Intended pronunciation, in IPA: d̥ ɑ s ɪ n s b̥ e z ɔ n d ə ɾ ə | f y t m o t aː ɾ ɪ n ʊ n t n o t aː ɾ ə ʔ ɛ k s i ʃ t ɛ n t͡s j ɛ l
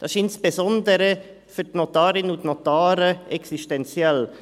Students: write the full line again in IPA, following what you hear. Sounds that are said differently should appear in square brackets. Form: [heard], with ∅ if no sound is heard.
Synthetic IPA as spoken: d̥ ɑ s ɪ n s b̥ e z ɔ n d ə ɾ ə | f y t [n] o t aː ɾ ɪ n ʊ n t n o t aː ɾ ə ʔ ɛ k s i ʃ t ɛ n t͡s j ɛ l